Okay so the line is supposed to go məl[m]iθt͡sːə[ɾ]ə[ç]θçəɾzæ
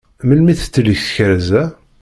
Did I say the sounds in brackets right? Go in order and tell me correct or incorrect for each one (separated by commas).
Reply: correct, incorrect, correct